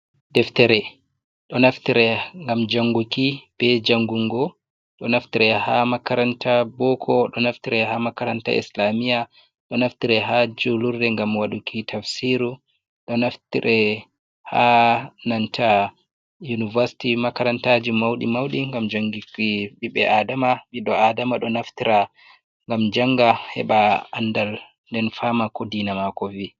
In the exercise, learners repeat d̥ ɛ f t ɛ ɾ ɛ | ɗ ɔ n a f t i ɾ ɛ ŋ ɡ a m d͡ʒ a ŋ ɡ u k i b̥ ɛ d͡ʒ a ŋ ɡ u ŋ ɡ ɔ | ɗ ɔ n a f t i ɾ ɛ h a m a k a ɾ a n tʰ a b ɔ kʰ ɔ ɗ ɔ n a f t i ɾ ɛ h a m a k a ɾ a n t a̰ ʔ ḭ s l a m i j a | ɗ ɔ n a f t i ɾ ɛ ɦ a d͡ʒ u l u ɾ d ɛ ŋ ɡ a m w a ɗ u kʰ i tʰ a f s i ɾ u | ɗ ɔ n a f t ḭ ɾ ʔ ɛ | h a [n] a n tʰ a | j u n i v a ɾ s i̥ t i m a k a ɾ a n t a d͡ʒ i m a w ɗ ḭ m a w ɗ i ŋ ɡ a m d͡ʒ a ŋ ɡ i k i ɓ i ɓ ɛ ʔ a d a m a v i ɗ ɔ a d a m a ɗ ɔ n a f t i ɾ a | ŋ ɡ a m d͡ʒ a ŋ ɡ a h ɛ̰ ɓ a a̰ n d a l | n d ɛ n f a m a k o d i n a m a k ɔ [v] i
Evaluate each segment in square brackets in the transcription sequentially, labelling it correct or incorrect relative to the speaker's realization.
correct, correct

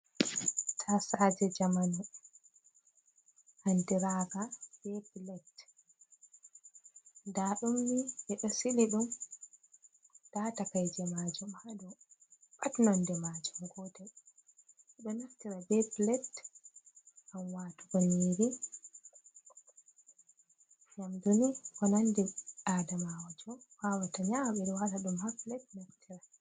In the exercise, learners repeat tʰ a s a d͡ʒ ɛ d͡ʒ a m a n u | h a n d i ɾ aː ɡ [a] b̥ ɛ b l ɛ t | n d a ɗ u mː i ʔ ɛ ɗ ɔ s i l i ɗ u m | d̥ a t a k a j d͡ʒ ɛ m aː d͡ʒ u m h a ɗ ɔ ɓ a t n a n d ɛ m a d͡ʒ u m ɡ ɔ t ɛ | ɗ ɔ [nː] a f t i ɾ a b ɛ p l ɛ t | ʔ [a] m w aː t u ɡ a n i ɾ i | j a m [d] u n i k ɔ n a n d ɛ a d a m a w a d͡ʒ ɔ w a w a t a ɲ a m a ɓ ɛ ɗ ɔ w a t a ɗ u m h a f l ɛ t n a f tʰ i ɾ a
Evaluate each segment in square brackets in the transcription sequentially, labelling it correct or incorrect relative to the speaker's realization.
correct, incorrect, correct, correct

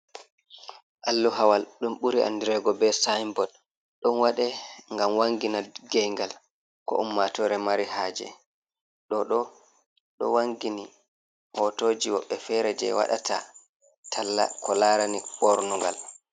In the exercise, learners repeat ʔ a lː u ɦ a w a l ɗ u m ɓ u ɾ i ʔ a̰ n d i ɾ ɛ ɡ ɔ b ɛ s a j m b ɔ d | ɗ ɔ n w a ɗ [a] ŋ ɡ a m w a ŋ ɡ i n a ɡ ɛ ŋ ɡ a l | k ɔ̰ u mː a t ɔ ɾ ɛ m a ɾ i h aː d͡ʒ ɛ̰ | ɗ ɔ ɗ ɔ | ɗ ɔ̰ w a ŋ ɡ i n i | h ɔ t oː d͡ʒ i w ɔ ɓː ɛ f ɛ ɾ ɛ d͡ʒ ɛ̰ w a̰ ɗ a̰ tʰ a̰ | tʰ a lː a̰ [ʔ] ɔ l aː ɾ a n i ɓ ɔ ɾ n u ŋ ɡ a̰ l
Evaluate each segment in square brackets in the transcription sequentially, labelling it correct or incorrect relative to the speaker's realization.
incorrect, incorrect

